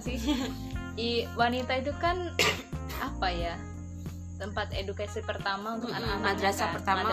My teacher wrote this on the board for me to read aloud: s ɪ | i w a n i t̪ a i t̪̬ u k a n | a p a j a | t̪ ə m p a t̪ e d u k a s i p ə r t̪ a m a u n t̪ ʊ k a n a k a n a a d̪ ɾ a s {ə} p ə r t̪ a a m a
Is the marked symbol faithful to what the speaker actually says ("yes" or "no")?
no